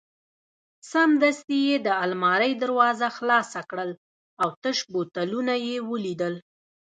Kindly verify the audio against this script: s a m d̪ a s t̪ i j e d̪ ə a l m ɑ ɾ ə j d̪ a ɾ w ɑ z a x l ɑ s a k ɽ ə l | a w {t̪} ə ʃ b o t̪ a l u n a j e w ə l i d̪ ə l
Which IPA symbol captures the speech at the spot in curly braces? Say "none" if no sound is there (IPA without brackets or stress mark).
t̪